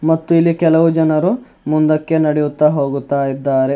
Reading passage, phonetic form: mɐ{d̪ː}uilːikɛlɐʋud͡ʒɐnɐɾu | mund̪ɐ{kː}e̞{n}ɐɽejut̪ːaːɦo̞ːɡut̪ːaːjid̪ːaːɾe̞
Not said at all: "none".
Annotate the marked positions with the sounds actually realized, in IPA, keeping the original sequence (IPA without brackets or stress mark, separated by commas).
t̪ː, kː, n